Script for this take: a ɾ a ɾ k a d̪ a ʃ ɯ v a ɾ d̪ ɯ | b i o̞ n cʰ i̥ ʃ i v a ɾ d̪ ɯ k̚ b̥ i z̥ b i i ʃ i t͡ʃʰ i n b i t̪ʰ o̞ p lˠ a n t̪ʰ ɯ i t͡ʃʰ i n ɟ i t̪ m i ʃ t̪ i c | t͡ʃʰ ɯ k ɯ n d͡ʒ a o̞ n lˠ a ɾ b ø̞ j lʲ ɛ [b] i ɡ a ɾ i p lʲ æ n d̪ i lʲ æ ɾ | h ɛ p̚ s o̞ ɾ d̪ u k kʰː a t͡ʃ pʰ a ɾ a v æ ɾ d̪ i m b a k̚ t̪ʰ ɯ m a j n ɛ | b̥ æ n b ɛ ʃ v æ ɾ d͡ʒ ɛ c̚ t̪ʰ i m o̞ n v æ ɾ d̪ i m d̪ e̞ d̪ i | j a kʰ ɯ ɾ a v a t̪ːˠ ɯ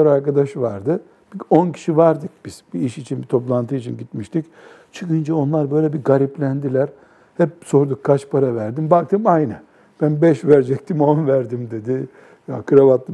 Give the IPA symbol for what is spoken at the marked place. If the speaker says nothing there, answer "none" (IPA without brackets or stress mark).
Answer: b